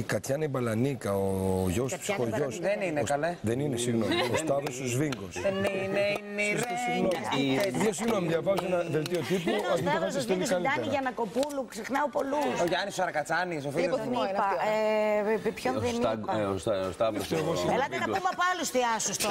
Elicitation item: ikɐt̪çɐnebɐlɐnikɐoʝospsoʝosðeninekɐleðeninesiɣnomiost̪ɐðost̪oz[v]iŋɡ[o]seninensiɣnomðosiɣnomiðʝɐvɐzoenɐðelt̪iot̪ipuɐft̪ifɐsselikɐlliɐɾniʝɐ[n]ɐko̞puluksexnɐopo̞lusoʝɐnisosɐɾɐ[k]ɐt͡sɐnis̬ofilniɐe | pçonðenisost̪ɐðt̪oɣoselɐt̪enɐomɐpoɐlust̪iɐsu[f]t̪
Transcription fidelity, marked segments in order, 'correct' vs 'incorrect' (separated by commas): correct, correct, correct, correct, incorrect